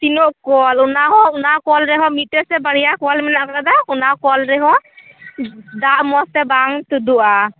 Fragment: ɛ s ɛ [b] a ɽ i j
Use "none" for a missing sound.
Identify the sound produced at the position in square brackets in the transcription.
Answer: b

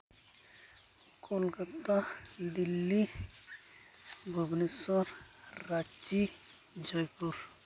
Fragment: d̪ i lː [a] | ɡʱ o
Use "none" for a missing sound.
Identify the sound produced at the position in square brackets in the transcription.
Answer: i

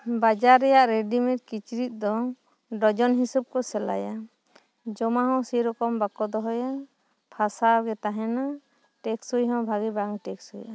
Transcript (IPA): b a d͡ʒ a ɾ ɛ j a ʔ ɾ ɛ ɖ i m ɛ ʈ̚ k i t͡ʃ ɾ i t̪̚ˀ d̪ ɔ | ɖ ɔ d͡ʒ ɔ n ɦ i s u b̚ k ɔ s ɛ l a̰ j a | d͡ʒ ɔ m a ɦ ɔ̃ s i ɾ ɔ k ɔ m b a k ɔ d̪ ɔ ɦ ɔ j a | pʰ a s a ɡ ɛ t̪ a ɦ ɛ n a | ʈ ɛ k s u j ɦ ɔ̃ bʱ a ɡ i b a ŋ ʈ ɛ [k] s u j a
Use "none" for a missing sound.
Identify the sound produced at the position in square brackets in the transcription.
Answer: k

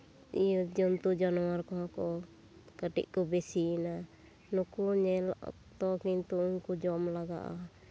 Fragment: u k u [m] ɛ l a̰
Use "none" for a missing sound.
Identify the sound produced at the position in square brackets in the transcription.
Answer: ɲ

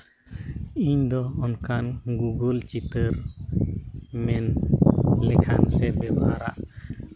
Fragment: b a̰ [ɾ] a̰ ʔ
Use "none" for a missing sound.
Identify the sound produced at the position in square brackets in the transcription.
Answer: ɾ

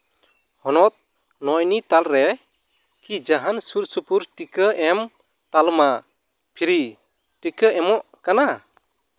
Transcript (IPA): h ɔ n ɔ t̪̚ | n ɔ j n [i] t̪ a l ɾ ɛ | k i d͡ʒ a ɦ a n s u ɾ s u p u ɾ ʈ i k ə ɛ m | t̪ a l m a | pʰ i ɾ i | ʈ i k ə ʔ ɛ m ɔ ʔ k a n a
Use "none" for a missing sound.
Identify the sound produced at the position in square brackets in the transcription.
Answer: i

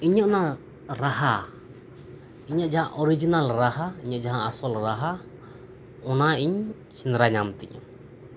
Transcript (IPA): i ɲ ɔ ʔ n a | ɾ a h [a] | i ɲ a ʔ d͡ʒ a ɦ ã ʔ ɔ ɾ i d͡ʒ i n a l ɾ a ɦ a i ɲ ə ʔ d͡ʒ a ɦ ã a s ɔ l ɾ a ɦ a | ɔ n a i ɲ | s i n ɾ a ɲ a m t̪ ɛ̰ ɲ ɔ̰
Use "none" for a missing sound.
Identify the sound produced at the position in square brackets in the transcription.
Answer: a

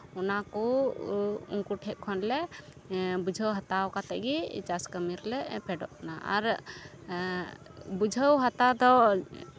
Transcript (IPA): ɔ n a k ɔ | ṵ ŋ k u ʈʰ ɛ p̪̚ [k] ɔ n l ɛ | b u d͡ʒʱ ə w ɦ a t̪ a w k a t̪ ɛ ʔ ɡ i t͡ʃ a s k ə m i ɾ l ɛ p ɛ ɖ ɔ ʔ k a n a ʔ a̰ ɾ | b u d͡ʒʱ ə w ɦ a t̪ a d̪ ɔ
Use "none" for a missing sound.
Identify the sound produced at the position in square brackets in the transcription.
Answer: kʰ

